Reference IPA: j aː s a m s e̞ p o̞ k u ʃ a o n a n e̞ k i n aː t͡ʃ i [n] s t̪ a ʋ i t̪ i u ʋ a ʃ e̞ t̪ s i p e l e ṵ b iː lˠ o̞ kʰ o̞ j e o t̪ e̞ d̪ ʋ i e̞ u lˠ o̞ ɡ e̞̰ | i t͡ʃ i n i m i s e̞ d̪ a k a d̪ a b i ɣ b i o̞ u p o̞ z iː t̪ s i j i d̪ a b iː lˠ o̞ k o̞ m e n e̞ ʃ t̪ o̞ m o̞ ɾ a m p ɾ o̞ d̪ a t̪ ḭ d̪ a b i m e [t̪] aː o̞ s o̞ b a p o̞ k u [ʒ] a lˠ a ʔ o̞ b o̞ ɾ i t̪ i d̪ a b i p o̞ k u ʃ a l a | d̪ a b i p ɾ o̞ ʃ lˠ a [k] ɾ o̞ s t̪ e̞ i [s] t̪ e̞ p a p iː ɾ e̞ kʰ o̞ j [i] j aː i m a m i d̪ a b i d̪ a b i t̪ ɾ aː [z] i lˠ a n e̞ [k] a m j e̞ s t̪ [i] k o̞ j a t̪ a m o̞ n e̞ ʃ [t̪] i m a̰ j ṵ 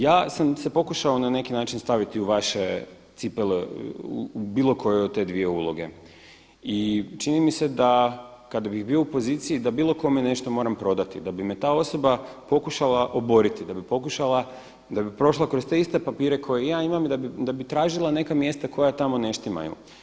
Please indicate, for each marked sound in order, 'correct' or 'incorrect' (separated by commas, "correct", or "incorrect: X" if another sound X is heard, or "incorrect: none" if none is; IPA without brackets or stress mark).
correct, correct, incorrect: ʃ, correct, correct, incorrect: e, incorrect: ʒ, correct, incorrect: a, correct